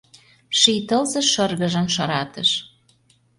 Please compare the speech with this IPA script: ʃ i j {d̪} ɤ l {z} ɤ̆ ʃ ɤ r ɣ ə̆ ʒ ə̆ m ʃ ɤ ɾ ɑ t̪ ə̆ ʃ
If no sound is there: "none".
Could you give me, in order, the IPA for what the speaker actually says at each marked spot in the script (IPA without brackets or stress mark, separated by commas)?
t̪, z